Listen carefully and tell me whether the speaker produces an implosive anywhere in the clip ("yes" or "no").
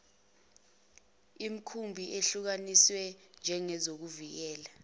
no